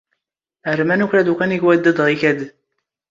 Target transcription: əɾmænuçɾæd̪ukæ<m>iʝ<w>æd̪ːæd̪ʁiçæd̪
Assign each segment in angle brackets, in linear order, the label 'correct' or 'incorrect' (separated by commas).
incorrect, correct